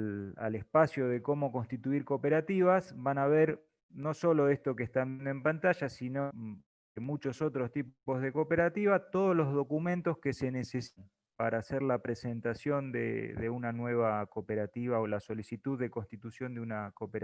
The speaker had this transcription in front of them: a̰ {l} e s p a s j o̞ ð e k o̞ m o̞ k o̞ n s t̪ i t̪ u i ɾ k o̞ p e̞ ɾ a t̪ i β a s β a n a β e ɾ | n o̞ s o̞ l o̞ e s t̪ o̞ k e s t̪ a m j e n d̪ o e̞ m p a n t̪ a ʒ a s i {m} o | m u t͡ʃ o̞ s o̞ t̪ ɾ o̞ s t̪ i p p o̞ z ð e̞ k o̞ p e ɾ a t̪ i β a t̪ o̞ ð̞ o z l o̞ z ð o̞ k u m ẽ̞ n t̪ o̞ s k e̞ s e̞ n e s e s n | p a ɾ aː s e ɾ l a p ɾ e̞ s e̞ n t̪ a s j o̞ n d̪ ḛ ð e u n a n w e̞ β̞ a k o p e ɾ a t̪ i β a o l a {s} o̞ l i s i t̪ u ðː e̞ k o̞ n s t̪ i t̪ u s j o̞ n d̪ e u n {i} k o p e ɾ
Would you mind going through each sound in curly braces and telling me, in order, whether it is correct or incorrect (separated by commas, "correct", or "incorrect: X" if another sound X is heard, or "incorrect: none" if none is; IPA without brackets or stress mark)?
correct, incorrect: n, correct, incorrect: a